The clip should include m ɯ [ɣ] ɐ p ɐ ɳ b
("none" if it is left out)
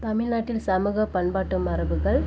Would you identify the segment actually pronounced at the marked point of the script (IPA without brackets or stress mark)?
ɣ